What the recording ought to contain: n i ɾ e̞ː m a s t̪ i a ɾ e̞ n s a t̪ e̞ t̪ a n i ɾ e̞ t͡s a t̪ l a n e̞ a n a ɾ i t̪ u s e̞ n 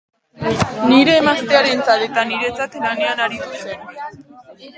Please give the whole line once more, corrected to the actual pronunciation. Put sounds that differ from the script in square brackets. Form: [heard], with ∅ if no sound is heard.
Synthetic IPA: n i ɾ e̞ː m a s t̪ [e] a ɾ e̞ n [t͡s] a t̪ e̞ t̪ a n i ɾ e̞ t͡s a t̪ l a n e̞ a n a ɾ i t̪ u s e̞ n